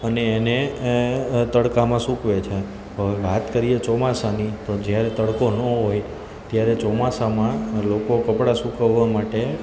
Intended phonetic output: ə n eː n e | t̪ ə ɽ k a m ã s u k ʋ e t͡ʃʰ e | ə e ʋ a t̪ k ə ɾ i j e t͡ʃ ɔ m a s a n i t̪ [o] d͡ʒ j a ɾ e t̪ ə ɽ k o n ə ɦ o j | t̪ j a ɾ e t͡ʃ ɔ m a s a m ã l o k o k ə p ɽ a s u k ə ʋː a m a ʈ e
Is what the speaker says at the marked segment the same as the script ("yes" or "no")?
yes